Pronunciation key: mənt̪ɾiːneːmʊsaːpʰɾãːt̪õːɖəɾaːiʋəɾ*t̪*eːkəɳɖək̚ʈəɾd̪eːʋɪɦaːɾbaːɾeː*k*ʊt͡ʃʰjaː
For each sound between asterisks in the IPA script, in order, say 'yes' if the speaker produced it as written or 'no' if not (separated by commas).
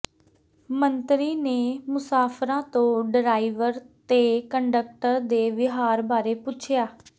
yes, no